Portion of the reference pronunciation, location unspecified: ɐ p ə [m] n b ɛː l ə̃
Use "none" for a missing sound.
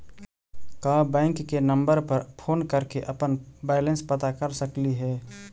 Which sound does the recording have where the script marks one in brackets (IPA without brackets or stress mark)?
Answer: none